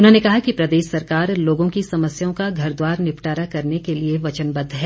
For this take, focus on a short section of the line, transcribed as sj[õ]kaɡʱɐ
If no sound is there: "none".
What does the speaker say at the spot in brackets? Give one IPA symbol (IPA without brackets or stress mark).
õ